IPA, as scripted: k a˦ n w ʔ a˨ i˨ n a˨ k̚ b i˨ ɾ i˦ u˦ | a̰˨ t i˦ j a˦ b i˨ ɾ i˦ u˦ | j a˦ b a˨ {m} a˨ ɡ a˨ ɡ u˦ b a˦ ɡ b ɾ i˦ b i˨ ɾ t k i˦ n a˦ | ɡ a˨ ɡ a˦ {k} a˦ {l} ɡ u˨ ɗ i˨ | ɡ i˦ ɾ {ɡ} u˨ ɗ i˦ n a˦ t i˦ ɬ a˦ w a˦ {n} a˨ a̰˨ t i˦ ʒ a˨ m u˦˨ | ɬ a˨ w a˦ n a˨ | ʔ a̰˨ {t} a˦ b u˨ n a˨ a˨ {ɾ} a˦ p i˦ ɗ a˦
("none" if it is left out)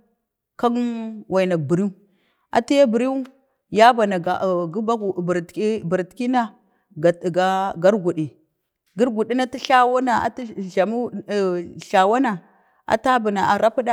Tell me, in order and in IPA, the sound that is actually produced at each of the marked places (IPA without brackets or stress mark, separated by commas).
n, ɡ, ɾ, ɡ, n, t, ɾ